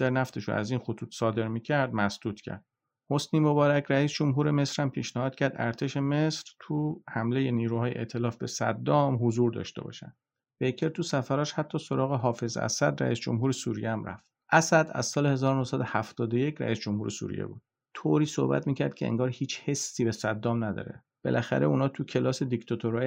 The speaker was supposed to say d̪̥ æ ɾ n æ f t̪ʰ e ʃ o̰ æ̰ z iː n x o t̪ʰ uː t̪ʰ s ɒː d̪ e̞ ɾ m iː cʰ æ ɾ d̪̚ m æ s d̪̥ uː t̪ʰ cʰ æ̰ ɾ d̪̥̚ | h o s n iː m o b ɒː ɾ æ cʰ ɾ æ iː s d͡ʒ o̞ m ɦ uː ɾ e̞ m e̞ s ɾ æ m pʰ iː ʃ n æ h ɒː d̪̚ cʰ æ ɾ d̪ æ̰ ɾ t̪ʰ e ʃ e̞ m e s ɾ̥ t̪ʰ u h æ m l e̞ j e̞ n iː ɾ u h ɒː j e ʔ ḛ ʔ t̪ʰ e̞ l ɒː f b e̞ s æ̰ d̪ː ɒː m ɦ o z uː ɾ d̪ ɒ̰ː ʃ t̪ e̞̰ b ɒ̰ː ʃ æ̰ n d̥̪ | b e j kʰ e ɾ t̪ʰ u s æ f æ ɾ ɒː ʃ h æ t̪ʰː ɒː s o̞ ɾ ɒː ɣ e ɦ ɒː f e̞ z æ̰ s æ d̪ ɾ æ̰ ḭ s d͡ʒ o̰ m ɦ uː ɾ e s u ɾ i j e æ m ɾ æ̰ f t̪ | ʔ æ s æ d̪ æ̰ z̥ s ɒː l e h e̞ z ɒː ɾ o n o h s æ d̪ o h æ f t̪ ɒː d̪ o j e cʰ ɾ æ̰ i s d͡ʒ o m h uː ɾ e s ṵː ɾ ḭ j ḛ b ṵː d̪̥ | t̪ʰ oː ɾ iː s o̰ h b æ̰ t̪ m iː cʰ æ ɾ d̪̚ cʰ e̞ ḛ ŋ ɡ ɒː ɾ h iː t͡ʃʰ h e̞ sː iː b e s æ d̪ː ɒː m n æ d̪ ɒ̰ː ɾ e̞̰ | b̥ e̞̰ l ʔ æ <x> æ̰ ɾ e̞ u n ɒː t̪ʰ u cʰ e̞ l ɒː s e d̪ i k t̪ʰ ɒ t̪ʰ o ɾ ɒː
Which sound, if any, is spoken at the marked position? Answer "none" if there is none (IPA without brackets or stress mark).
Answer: x